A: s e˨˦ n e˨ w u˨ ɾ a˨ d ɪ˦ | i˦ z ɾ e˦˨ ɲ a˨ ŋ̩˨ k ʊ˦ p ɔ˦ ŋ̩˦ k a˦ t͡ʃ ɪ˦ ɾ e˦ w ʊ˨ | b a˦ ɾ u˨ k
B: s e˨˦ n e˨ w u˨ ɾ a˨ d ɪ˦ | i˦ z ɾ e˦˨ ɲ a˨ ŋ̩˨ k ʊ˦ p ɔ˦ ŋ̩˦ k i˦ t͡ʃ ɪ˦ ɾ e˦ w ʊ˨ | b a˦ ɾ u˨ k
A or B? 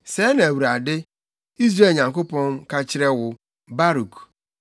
A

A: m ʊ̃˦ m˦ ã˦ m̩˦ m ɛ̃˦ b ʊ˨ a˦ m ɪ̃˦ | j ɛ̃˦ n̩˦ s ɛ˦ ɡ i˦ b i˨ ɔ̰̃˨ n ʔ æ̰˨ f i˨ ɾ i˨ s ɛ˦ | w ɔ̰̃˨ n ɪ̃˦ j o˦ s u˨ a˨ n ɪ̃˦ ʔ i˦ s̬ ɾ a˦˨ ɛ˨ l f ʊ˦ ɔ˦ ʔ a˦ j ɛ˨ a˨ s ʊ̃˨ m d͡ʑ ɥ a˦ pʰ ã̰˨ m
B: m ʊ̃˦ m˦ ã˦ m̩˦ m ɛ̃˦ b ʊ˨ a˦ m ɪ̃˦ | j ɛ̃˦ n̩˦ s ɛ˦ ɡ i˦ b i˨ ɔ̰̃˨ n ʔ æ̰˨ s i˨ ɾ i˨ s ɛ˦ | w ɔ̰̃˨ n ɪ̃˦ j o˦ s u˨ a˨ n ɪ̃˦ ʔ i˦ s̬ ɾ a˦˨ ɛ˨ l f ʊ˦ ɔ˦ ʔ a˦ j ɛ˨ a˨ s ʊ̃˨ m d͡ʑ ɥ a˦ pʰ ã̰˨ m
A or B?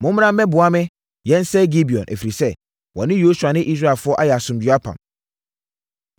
A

